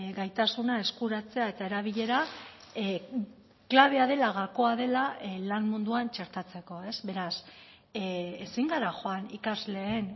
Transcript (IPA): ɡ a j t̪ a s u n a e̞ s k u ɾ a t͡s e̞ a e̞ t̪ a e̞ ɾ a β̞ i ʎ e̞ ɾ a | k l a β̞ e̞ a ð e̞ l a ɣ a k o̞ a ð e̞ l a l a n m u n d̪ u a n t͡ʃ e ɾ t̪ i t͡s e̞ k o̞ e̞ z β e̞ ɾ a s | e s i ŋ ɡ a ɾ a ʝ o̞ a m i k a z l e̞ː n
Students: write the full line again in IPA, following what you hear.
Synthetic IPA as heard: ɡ a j t̪ a s u n a e̞ s k u ɾ a t͡s e̞ a e̞ t̪ a e̞ ɾ a β̞ i ʎ e̞ ɾ a | k l a β̞ e̞ a ð e̞ l a ɣ a k o̞ a ð e̞ l a l a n m u n d̪ u a n t͡ʃ e ɾ t̪ a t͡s e̞ k o̞ e̞ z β e̞ ɾ a s | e s i ŋ ɡ a ɾ a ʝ o̞ a n i k a z l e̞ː n